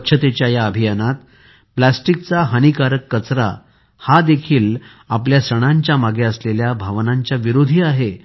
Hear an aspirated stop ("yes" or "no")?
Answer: yes